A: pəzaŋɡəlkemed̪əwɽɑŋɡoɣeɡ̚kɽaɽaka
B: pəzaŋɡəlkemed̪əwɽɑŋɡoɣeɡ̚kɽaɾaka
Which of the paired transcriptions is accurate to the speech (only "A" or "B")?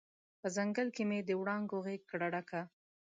A